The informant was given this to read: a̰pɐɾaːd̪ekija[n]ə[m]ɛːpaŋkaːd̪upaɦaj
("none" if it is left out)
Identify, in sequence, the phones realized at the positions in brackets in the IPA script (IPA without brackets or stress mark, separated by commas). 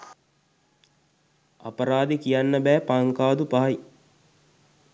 nː, b